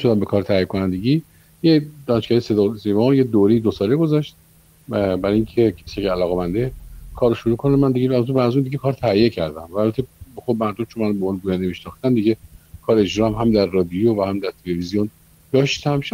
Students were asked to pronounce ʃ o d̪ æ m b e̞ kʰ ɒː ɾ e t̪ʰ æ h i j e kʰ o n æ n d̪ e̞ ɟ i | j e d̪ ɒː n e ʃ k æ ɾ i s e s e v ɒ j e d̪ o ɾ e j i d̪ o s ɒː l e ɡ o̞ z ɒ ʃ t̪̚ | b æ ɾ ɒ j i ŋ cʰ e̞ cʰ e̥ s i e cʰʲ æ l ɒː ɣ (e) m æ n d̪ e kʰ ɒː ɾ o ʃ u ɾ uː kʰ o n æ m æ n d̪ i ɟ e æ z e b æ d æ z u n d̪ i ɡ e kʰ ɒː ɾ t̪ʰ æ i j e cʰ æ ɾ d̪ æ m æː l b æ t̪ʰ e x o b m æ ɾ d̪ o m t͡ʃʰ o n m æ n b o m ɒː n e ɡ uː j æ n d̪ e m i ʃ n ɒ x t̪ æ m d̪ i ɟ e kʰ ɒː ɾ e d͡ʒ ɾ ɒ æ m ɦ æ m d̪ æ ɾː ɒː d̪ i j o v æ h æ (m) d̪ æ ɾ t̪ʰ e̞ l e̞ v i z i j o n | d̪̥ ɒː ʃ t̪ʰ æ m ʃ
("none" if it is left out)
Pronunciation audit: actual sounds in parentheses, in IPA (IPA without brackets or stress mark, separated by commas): e, m